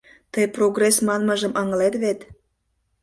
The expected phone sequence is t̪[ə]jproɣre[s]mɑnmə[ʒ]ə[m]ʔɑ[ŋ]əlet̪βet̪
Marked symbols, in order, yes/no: yes, yes, yes, yes, yes

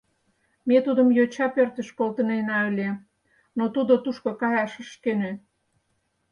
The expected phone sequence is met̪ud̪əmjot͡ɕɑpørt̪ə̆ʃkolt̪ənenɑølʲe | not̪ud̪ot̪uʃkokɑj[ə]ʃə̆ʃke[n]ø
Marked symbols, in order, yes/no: no, yes

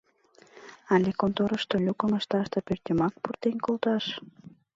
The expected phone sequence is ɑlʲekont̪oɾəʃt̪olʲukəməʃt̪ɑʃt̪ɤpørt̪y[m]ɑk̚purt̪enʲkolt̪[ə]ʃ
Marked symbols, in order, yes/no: yes, no

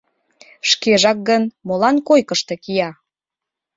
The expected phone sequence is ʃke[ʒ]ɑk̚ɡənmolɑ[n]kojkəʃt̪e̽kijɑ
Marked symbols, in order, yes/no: yes, yes

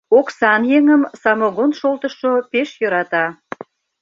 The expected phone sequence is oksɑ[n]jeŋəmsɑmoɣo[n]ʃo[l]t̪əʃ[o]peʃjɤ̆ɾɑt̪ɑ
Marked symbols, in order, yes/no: yes, yes, yes, yes

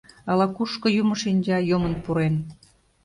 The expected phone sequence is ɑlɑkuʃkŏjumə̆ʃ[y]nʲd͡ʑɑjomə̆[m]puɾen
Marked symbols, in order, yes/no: no, no

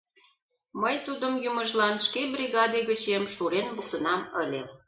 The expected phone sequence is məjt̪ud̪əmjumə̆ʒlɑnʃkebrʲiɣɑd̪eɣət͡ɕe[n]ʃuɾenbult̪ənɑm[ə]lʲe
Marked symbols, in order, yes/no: no, yes

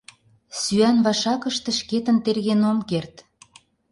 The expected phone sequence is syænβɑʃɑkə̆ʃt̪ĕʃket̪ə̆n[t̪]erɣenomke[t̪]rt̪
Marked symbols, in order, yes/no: yes, no

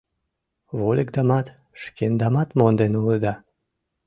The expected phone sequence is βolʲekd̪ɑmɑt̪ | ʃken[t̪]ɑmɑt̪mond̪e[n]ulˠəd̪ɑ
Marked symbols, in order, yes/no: no, yes

